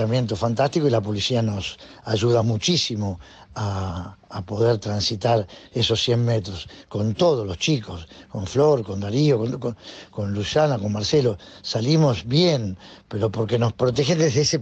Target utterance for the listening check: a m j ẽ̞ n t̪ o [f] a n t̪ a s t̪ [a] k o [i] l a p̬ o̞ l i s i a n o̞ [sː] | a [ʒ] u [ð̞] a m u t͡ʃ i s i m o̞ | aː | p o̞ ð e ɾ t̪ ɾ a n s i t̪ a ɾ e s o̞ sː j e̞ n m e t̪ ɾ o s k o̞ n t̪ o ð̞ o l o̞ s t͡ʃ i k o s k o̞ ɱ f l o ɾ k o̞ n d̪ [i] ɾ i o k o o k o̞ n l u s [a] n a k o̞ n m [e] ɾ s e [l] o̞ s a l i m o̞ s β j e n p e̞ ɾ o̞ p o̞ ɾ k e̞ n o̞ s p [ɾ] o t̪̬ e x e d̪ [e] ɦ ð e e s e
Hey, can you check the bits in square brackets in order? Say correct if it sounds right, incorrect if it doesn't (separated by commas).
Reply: correct, incorrect, correct, incorrect, correct, correct, incorrect, correct, incorrect, correct, correct, correct